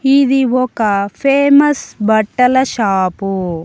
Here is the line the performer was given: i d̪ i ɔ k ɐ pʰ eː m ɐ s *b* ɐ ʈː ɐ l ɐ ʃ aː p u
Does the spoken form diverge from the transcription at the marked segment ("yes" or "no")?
no